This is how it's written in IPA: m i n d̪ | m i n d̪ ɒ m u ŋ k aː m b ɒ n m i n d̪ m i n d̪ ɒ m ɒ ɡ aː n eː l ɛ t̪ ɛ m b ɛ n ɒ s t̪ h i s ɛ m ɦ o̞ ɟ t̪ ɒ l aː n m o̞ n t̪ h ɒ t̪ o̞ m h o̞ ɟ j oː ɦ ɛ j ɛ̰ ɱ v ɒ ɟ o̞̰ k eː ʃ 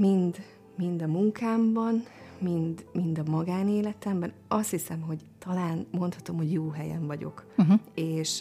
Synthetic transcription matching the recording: m i n d̪ | m i n d̪ ɒ m u ŋ k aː m b ɒ n m i n d̪ m i n d̪ ɒ m ɒ ɡ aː n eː l ɛ t̪ ɛ m b ɛ n ɒ s t̪ h i s ɛ m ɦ o̞ ɟ t̪ ɒ l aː n m o̞ n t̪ h ɒ t̪ o̞ m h o̞ ɟ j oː ɦ ɛ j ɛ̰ ɱ v ɒ ɟ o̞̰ k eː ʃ